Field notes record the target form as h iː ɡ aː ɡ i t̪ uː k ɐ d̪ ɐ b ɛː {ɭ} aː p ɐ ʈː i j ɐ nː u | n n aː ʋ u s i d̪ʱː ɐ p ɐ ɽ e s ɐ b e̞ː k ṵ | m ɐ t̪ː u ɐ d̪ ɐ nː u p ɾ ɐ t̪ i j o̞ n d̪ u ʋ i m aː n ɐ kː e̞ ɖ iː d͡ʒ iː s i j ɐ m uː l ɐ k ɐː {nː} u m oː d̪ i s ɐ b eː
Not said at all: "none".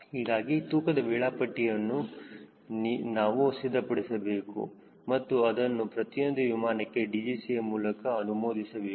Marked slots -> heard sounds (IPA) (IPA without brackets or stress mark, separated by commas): ɭ, n